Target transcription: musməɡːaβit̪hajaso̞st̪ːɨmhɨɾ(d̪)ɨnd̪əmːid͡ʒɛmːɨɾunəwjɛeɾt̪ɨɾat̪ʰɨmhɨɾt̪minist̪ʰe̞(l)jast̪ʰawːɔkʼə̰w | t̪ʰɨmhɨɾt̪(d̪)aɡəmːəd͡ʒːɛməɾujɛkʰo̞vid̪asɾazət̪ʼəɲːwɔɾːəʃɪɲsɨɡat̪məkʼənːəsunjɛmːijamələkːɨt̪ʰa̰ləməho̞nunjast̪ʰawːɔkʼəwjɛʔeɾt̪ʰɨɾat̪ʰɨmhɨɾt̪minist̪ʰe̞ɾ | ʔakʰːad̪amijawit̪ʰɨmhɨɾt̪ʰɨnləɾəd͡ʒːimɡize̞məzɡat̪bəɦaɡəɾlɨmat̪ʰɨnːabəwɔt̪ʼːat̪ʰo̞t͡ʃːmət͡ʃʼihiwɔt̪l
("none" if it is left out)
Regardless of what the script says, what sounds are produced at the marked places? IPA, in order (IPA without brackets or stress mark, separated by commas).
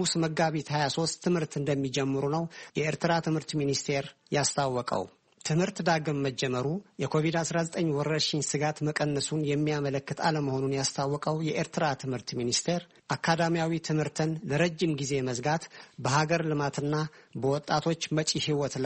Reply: t̪, ɾ, d̪